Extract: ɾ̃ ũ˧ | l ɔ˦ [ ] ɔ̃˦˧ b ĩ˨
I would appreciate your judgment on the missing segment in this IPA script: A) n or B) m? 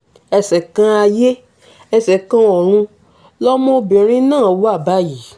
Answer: B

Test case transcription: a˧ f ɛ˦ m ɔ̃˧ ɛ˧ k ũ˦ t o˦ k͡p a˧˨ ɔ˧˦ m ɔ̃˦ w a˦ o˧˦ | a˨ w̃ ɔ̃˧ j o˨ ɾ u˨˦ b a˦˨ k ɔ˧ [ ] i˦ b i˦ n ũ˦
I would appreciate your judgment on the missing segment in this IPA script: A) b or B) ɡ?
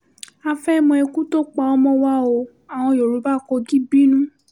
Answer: B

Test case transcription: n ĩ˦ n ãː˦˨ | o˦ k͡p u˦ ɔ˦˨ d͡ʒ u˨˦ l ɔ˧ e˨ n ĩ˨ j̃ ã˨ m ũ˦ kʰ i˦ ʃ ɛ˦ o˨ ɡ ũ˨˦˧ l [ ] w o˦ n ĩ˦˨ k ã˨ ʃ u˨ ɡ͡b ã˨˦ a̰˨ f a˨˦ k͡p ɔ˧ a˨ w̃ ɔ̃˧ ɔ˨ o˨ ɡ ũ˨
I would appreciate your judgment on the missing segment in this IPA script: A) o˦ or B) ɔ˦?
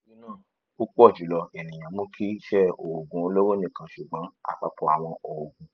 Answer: A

